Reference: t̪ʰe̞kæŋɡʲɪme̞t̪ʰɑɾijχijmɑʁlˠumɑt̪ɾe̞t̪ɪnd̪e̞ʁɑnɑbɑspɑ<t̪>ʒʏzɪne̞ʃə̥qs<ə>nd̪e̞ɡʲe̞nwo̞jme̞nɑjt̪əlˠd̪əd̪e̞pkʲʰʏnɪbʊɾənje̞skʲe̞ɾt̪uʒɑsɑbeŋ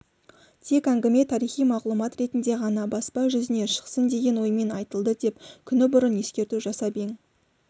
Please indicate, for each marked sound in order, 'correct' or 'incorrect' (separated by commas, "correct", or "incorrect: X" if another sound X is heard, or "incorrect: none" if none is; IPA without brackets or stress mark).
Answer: incorrect: none, correct